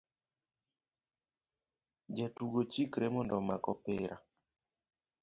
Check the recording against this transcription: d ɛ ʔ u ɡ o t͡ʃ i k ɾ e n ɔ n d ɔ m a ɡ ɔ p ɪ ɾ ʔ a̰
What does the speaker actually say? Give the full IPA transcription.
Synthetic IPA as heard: d͡ʒ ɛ t u ɡ o t͡ʃ i k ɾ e m ɔ n d ɔ m a k ɔ p ɪ ɾ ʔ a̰